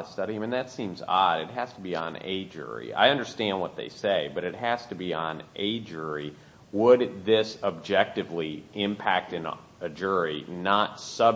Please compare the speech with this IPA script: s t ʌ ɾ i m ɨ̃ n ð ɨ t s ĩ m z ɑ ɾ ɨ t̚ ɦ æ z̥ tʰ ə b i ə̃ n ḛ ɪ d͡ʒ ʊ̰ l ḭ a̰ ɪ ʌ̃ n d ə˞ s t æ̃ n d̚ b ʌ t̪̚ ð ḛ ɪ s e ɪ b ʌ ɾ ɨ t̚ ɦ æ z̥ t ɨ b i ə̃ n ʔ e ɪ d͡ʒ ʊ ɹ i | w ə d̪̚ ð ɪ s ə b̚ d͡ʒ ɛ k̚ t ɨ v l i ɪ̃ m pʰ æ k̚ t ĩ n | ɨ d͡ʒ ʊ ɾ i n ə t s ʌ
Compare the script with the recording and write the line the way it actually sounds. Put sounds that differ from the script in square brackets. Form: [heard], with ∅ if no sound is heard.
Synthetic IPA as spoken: s t ʌ ɾ i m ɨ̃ n ð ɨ t s ĩ m z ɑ ɾ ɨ t̚ ɦ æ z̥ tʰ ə b i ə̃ n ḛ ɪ d͡ʒ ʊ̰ [ɹ] ḭ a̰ ɪ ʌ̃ n d ə˞ s t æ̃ n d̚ [w] ʌ t̪̚ ð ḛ ɪ s e ɪ b ʌ ɾ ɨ t̚ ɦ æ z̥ t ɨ b i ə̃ n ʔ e ɪ d͡ʒ ʊ ɹ i | w ə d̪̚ ð ɪ s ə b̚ d͡ʒ ɛ k̚ t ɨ v l i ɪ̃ m pʰ æ k̚ t [ɨ̃] n | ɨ d͡ʒ ʊ [ɹ] i n ə t s ʌ